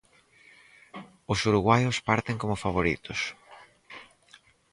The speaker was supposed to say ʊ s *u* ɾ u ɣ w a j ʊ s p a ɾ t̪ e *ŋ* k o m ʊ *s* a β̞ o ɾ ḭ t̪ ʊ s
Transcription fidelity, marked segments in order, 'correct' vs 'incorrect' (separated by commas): correct, correct, incorrect